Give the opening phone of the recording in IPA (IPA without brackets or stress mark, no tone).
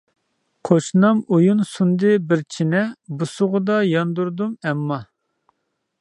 qʰ